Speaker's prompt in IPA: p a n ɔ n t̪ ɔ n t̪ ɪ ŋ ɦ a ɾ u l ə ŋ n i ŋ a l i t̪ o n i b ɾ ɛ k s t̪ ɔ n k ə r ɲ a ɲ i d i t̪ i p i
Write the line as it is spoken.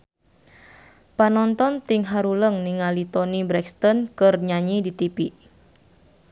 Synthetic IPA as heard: p a n ɔ n t̪ ɔ n t̪ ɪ ŋ ɦ a ɾ u l ə ŋ n i ŋ a l i t̪ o n i b ɾ ɛ k s t̪ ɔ n k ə r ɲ a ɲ i d i t̪ i p i

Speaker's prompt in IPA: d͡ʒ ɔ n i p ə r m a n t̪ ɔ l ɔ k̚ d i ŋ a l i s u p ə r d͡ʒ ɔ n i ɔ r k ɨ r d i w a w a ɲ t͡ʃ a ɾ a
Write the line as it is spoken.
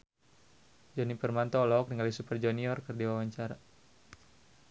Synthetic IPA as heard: d͡ʒ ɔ n i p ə r m a n t̪ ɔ l ɔ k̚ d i ŋ a l i s u p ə r d͡ʒ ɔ n i ɔ r k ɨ r d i w a w a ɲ t͡ʃ a ɾ a

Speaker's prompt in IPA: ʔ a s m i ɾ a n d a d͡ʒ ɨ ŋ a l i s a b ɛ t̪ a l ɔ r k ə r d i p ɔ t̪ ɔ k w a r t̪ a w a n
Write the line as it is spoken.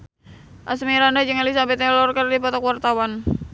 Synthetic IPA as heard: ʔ a s m i ɾ a n d a d͡ʒ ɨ ŋ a l i s a b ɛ t̪ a l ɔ r k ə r d i p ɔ t̪ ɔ k w a r t̪ a w a n

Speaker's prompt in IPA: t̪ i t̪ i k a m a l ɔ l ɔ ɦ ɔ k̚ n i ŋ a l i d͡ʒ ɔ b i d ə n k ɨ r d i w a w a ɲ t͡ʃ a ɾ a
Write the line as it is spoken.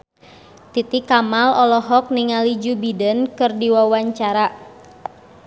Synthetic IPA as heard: t̪ i t̪ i k a m a l ɔ l ɔ ɦ ɔ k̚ n i ŋ a l i d͡ʒ u b i d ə n k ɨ r d i w a w a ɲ t͡ʃ a ɾ a

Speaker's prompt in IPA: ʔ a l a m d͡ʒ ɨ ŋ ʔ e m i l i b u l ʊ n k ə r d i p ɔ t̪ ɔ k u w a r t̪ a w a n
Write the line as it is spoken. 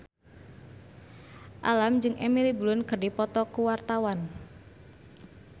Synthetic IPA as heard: ʔ a l a m d͡ʒ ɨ ŋ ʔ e m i l i b u l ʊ n k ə r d i p ɔ t̪ ɔ k u w a r t̪ a w a n

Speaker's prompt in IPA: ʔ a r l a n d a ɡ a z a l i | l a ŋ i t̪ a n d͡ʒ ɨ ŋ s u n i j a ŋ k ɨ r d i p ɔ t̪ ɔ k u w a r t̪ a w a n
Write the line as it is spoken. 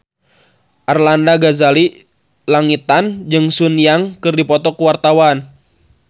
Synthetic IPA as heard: ʔ a r l a n d a ɡ a z a l i | l a ŋ i t̪ a n d͡ʒ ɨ ŋ s u n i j a ŋ k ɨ r d i p ɔ t̪ ɔ k u w a r t̪ a w a n

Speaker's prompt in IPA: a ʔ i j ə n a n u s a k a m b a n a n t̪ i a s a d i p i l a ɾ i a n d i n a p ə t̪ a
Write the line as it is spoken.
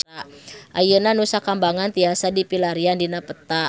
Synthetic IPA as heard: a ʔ a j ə n a n u s a k a m b a ŋ a n t̪ i a s a d i p i l a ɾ i a n d i n a p ə t̪ a

